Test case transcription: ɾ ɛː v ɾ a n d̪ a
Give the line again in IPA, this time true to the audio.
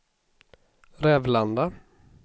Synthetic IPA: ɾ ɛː v l a n d̪ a